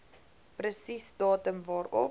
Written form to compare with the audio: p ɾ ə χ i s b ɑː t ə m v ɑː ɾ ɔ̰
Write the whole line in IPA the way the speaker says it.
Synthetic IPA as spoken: p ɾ ə s i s d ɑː t ə m v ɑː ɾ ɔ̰